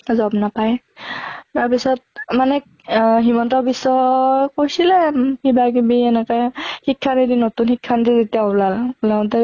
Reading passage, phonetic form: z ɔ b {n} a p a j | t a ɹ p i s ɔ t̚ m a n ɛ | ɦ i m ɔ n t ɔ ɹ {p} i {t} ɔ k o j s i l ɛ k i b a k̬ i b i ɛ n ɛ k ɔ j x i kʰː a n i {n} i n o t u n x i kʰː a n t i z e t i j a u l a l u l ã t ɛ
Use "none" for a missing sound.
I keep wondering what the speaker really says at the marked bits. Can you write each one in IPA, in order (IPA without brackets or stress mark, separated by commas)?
n, b, s, d